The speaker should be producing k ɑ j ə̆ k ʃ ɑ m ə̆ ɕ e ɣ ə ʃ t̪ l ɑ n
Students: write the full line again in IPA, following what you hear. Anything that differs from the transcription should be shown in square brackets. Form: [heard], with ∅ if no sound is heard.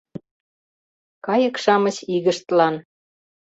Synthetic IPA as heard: k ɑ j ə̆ k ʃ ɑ m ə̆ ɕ [i] ɣ ə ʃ t̪ l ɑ n